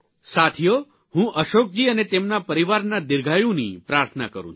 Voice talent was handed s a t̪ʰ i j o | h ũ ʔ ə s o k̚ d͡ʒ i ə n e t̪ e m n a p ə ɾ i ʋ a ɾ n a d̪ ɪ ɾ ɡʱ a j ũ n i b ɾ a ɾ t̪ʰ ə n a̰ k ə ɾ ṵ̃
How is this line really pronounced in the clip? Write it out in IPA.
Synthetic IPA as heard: s a t̪ʰ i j o | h ũ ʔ ə ʃ o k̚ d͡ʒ i ə n e t̪ e m n a p ə ɾ i ʋ a ɾ n a d̪ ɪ ɾ ɡʱ a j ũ n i p ɾ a ɾ t̪ʰ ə n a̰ k ə ɾ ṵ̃